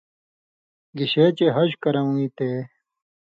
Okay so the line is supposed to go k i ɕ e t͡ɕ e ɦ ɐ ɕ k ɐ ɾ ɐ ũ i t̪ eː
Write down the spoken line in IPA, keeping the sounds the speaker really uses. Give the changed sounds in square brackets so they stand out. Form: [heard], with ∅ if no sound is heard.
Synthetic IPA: [ɡ] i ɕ e t͡ɕ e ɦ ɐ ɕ k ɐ ɾ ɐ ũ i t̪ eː